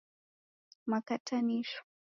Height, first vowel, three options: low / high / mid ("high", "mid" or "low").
low